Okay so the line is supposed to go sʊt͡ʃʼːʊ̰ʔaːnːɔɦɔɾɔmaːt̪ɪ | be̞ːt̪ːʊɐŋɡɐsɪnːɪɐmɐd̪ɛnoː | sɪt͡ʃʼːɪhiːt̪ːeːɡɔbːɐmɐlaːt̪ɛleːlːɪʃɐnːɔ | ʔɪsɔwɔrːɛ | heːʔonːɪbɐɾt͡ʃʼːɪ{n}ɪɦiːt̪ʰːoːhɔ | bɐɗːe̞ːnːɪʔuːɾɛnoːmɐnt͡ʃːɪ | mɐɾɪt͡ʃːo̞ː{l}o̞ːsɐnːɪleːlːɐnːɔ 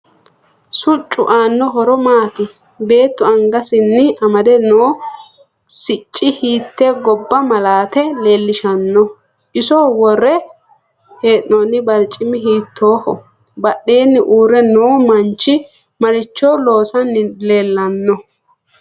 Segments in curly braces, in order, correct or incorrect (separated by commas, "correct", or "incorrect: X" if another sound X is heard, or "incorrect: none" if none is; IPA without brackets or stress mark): incorrect: m, correct